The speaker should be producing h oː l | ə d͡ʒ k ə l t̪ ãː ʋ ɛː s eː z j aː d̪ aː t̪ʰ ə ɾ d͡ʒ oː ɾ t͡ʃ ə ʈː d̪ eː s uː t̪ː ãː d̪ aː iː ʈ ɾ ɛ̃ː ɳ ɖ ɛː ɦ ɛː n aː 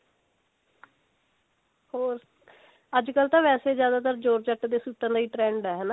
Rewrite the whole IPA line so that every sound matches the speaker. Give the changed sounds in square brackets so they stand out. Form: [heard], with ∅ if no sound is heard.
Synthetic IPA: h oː [ɾ] | ə d͡ʒ k ə l t̪ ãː ʋ ɛː s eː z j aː d̪ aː [t̪] ə ɾ d͡ʒ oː ɾ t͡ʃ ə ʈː d̪ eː s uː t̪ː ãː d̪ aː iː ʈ ɾ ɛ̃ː ɳ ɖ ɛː ɦ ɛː n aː